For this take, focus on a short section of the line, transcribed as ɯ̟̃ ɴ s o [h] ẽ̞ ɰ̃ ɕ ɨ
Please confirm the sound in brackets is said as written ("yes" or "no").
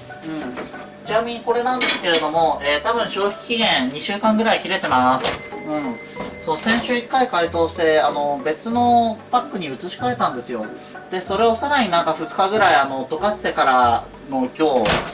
no